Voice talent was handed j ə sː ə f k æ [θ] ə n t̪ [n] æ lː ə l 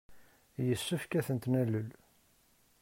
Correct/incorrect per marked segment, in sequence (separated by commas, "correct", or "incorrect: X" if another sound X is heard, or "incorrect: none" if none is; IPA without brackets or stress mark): correct, correct